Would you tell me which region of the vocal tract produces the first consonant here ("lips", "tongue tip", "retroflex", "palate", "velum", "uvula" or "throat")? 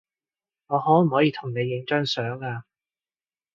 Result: velum